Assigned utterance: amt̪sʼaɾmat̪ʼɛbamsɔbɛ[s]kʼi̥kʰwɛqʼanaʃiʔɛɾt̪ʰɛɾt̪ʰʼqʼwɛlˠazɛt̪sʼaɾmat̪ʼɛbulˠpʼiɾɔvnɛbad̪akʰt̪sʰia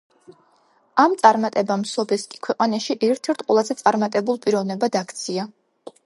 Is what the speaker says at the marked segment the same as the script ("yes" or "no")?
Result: yes